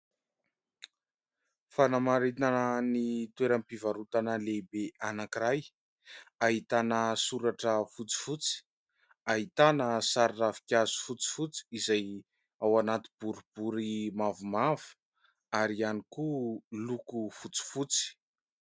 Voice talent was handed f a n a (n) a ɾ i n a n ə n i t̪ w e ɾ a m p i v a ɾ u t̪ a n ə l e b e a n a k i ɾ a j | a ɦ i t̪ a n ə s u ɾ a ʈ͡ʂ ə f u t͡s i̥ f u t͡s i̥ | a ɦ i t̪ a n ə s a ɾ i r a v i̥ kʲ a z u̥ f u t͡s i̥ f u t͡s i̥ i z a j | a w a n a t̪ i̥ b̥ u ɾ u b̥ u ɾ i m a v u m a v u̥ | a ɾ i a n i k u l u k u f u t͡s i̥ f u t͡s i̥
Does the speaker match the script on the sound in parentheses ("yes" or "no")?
no